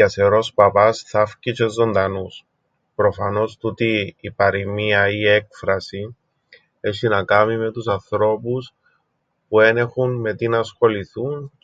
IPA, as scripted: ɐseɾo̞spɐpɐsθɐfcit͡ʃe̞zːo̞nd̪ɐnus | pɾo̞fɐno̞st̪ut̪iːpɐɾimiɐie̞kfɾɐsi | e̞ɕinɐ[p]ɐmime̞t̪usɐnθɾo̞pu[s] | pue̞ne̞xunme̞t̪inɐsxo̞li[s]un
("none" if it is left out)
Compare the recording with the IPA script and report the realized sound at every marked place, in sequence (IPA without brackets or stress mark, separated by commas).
k, s, θ